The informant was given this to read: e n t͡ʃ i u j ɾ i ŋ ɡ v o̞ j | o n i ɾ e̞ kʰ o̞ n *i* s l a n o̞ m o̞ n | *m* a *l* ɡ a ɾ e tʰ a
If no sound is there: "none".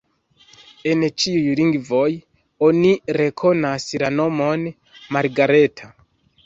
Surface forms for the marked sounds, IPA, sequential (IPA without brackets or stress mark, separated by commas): a, m, ɾ